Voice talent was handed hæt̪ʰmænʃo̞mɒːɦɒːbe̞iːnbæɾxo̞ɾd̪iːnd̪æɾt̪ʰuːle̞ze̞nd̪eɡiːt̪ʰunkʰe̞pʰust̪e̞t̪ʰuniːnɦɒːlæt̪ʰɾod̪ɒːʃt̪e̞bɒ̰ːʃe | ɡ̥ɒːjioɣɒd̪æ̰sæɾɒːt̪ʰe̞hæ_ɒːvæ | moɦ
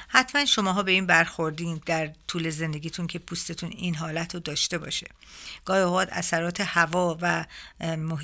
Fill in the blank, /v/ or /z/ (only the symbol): v